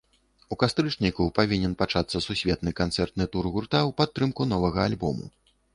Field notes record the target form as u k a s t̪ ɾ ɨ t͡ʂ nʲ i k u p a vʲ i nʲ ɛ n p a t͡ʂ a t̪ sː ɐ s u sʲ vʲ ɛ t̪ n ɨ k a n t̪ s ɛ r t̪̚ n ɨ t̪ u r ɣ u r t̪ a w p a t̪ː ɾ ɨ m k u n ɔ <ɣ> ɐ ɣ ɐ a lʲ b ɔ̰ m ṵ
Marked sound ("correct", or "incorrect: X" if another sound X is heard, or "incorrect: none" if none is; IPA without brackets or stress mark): incorrect: v